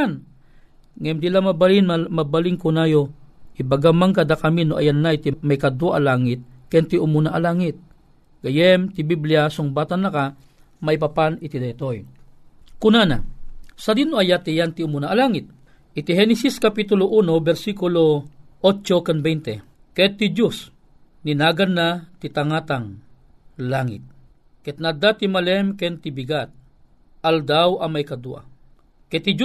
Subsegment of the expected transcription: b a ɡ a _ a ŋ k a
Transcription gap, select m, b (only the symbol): m